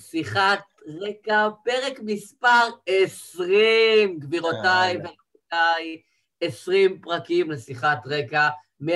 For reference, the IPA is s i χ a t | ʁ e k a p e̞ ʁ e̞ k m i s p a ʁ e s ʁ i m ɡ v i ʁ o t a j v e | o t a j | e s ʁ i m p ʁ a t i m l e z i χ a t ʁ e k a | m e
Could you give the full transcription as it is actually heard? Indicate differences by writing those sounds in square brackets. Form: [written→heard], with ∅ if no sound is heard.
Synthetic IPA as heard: s i χ a t | ʁ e k a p e̞ ʁ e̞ k m i s p a ʁ e s ʁ i m ɡ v i ʁ o t a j v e | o t a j | e s ʁ i m p ʁ a [t→k] i m l e [z→s] i χ a t ʁ e k a | m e